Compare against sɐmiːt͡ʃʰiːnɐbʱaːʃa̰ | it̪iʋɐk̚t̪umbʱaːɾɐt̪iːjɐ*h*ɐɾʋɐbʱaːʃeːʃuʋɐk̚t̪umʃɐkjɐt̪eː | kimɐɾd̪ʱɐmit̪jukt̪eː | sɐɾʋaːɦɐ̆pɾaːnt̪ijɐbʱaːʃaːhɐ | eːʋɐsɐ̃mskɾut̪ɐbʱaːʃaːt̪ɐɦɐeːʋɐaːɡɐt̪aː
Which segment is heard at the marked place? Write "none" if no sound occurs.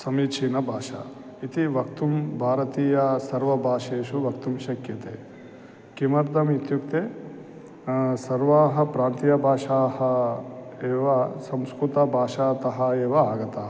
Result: s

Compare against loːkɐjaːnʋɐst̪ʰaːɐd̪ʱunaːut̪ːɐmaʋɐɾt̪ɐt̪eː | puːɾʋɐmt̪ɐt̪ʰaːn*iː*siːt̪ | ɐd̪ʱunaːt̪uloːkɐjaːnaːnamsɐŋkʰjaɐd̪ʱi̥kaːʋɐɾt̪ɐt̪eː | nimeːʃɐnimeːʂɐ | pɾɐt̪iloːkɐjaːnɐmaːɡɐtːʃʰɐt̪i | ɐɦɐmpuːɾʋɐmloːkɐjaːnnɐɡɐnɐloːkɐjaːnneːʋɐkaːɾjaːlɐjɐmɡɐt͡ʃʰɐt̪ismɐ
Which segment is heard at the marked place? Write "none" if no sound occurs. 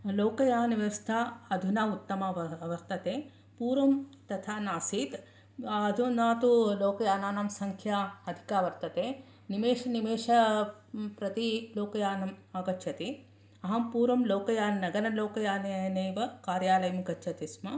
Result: aː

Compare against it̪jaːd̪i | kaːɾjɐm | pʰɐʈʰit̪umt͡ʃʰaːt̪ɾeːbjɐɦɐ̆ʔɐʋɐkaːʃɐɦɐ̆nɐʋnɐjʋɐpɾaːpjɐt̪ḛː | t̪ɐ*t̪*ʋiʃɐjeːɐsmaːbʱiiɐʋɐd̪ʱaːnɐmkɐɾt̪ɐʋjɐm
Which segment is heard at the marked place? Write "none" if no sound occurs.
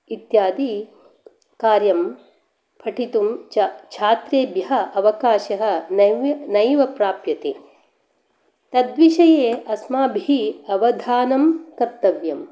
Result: d̪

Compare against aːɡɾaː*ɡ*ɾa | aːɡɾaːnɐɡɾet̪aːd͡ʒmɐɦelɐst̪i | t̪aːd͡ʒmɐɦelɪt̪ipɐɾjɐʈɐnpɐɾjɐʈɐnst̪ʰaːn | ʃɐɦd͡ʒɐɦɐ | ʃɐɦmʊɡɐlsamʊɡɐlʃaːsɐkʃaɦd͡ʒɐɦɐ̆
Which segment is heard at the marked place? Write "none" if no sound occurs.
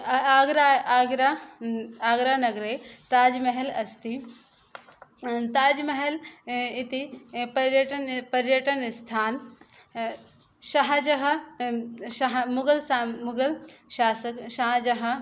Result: ɡ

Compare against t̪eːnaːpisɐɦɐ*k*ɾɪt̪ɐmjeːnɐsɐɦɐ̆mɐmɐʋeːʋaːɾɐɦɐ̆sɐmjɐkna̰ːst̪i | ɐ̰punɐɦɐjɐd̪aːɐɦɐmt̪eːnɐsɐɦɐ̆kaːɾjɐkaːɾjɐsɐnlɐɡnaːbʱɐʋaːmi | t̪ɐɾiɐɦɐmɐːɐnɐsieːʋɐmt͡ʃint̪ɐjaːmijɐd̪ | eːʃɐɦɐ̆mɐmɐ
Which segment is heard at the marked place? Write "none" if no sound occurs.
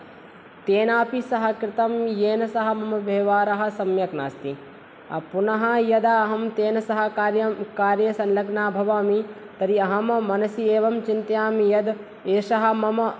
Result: k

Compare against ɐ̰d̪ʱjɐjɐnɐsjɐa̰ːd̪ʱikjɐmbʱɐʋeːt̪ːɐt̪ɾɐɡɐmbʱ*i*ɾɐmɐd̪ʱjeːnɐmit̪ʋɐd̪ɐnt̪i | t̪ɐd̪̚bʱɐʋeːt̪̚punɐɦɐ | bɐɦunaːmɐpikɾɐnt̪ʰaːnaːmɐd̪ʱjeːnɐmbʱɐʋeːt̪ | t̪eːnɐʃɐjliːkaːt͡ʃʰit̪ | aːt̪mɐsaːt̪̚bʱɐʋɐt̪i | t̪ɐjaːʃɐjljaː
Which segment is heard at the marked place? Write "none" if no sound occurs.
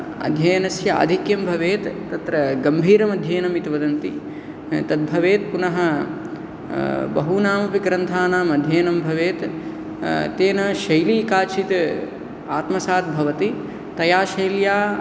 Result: iː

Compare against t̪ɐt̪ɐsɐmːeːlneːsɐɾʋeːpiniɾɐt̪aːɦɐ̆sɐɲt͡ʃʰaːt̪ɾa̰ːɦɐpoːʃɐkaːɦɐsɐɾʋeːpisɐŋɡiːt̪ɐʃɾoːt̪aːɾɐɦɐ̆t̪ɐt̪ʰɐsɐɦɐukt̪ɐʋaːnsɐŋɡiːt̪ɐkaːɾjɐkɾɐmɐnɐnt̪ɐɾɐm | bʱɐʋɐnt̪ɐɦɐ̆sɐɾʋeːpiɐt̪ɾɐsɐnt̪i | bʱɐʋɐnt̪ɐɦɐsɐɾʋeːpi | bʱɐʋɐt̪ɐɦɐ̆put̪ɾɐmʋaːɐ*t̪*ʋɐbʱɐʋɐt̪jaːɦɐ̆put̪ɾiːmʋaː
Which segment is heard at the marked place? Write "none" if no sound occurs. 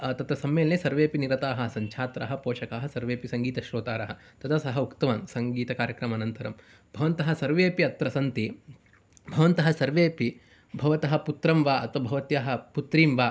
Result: t̪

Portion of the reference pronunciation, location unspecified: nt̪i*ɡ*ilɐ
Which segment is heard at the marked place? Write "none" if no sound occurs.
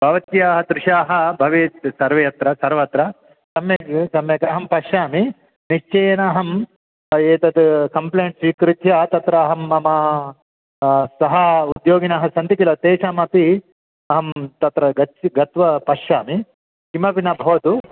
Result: k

